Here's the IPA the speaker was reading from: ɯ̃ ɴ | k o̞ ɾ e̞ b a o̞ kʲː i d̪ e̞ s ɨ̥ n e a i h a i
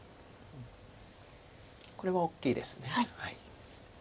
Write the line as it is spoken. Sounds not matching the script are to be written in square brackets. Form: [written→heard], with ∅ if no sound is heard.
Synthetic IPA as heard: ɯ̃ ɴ | k o̞ ɾ e̞ [b→β] a o̞ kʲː [i→iː] d̪ e̞ s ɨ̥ n e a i h a i